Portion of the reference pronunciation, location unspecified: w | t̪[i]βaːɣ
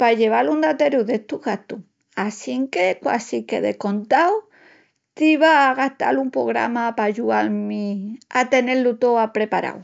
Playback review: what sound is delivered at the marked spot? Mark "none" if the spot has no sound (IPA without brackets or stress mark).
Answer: i